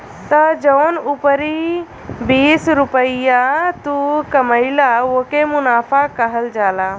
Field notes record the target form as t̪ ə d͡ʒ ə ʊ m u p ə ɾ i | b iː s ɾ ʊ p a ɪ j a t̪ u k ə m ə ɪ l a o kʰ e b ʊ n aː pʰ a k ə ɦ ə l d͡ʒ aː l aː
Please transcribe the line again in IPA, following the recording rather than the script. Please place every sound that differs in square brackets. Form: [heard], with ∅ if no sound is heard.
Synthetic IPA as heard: t̪ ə d͡ʒ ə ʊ [n] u p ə ɾ i | b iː s ɾ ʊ p [ə] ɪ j a t̪ u k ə m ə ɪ l a o [k] e [m] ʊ n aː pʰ a k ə ɦ ə l d͡ʒ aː l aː

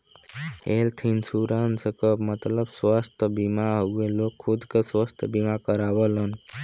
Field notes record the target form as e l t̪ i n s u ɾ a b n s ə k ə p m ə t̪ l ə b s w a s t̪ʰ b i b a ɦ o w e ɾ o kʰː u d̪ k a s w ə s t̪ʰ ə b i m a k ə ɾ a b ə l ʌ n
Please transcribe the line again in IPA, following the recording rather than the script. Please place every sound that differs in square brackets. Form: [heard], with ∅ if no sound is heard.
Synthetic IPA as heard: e l [t̪ʰ] i n s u ɾ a [∅] n s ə k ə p m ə t̪ l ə b s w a s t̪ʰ b i [m] a ɦ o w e [l] o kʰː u d̪ k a s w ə s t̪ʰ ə b i m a k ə ɾ a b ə l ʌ n

